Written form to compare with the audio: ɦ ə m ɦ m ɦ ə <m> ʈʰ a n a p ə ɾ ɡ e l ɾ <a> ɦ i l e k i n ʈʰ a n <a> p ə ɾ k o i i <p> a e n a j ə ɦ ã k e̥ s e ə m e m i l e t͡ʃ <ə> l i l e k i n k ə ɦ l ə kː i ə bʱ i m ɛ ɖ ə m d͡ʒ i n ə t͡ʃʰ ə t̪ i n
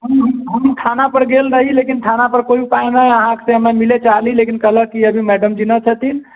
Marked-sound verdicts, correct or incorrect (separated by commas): correct, incorrect, correct, correct, incorrect